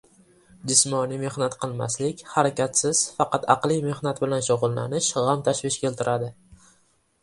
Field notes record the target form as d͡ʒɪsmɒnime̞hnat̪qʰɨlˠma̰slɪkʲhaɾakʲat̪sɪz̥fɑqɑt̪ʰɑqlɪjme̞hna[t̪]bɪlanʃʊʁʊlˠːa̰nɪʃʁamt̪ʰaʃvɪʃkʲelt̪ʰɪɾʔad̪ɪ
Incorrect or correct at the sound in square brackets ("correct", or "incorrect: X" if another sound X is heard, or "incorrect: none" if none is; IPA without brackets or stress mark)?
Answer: correct